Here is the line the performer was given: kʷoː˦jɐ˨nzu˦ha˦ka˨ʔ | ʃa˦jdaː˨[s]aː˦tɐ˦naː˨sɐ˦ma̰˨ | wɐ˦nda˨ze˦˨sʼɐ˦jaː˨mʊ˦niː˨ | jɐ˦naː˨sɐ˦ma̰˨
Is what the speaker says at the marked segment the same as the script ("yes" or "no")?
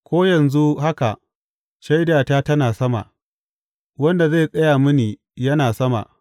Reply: no